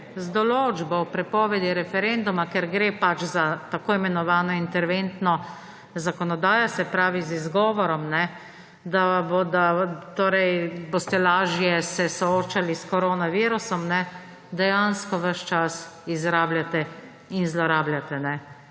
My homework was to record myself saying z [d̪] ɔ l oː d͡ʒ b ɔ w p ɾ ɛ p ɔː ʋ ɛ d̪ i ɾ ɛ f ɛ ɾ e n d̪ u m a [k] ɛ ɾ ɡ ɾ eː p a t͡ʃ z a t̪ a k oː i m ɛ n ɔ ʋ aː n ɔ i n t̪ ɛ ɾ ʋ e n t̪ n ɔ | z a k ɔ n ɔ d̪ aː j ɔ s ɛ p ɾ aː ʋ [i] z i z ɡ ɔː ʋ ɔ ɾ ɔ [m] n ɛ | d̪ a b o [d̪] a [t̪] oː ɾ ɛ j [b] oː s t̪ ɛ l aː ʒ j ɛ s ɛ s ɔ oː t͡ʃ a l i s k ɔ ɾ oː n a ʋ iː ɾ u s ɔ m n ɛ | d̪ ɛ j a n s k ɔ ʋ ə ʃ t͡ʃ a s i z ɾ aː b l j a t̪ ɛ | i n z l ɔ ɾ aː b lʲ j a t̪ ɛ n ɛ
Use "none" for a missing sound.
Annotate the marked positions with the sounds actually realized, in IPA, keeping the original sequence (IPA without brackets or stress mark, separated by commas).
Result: d̪, k, i, m, d̪, t̪, b